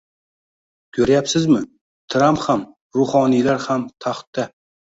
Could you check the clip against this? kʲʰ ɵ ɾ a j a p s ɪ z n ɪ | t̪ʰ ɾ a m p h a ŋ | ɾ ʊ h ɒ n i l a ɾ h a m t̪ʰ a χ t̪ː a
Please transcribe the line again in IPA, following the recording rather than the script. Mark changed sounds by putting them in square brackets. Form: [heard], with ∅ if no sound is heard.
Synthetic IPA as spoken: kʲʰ ɵ ɾ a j a p s ɪ z [m] ɪ | t̪ʰ ɾ a m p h a [m] | ɾ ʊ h ɒ n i l a ɾ h a m t̪ʰ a χ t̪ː a